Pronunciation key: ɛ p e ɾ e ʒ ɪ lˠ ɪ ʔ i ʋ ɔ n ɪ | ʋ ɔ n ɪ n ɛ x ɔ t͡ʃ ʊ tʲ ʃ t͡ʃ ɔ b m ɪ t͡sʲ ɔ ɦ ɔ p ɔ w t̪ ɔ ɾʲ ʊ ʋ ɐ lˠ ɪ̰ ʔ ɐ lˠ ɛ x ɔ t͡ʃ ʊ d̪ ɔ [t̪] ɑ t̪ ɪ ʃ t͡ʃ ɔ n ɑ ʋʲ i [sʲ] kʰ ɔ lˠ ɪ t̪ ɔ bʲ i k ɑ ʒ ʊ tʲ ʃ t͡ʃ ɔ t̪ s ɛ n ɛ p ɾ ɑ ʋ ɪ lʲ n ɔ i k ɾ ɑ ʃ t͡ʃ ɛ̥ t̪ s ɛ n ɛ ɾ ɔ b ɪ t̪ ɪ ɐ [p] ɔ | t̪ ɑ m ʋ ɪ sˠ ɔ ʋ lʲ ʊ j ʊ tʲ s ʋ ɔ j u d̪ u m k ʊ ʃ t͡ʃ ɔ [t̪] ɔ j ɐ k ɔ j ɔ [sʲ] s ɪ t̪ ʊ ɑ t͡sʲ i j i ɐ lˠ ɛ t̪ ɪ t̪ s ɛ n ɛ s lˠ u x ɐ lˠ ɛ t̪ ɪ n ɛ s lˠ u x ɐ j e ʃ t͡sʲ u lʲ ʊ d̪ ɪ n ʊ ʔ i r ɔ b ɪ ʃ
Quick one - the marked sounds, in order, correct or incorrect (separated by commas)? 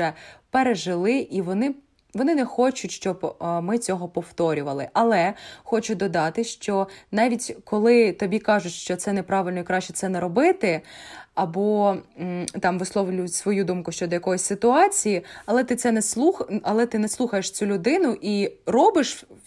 incorrect, incorrect, incorrect, incorrect, correct